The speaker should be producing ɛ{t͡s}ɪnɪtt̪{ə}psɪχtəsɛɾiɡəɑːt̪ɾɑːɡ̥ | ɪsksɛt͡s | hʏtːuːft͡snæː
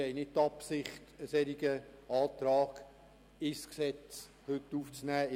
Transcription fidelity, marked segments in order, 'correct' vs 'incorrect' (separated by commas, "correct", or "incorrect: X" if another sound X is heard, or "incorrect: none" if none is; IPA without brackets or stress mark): incorrect: none, incorrect: ɑ